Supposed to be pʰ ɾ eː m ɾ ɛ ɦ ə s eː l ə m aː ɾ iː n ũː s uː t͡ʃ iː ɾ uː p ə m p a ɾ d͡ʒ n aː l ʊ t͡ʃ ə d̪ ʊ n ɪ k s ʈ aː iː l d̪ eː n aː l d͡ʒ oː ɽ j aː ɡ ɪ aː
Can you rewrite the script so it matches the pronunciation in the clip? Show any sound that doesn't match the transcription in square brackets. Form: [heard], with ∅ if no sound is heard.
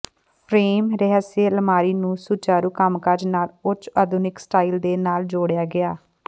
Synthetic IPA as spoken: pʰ ɾ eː m ɾ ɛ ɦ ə s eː l ə m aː ɾ iː n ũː s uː t͡ʃ [aː] ɾ uː [k] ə m [k] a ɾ d͡ʒ n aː l ʊ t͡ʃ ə d̪ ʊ n ɪ k s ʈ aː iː l d̪ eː n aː l d͡ʒ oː ɽ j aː ɡ ɪ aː